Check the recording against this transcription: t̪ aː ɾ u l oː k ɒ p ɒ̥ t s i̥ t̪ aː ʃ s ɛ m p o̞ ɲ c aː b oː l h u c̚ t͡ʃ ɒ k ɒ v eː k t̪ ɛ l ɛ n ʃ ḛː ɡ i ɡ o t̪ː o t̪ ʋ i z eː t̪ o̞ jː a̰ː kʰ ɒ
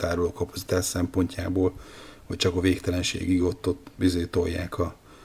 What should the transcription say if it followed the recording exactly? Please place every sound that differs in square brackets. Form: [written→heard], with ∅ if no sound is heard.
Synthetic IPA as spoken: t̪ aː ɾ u l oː k ɒ p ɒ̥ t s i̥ t̪ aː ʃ s ɛ m p o̞ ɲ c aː b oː l h [u→o] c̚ t͡ʃ ɒ k ɒ v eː k t̪ ɛ l ɛ n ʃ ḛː ɡ i ɡ o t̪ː o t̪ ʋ i z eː t̪ o̞ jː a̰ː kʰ ɒ